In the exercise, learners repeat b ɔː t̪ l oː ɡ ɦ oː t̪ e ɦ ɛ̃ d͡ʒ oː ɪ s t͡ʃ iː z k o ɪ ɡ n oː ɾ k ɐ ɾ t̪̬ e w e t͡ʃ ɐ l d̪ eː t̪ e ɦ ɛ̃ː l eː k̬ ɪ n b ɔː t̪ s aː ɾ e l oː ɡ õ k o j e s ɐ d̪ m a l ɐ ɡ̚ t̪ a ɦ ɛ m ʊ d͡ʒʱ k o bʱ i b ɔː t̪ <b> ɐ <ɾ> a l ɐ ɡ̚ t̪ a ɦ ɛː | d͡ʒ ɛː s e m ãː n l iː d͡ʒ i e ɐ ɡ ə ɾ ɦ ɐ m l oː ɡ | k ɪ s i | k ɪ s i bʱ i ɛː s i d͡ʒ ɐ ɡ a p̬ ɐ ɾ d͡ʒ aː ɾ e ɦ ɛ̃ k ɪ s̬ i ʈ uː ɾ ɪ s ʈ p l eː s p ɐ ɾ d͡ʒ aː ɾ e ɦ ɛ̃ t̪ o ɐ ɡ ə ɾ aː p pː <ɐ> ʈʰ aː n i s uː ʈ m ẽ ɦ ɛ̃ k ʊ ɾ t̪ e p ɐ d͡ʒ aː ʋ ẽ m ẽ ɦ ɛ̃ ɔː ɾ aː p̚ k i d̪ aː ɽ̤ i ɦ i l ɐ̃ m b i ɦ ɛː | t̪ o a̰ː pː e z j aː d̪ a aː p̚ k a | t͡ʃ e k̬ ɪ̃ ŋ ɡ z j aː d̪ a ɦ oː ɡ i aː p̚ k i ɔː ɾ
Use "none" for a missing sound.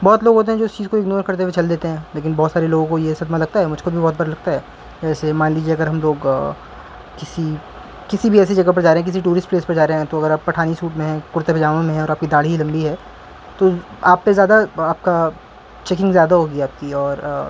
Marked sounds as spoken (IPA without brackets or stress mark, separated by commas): b, ɾ, ɐ